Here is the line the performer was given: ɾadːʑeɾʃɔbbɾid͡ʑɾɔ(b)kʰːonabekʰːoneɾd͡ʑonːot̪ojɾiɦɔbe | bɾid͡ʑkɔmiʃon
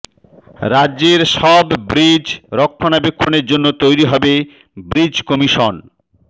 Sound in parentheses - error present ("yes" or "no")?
yes